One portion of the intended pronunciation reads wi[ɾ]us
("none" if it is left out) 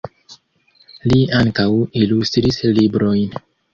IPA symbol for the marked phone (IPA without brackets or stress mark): l